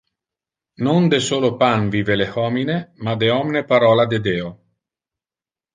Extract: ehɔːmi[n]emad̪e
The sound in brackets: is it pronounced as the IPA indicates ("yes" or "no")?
yes